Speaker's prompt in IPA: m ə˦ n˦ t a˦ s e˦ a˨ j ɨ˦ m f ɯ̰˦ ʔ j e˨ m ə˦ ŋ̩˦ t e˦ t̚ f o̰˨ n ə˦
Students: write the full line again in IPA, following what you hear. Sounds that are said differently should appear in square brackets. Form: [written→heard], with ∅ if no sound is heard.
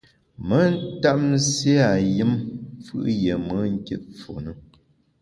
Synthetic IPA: m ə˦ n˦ t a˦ s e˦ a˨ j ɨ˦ m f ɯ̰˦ ʔ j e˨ m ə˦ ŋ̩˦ [t→k] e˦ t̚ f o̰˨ n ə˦

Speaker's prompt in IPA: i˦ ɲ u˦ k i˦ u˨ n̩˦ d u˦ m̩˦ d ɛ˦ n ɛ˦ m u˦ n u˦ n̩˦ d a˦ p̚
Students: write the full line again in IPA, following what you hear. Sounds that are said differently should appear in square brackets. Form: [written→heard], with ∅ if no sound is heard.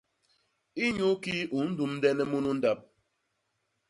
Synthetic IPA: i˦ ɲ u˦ k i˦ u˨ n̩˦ d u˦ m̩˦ d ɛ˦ n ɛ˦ m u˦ n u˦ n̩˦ d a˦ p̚

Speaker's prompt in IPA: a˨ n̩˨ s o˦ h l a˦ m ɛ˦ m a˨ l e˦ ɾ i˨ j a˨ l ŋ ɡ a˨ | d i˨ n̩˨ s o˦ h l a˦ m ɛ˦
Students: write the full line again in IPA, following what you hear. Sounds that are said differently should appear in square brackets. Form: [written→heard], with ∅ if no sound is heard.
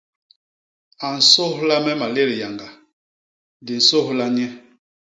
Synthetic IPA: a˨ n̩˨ s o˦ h l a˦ m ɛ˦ m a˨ l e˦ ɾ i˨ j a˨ [l→∅] ŋ ɡ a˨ | d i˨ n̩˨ s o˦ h l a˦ [m→ɲ] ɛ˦

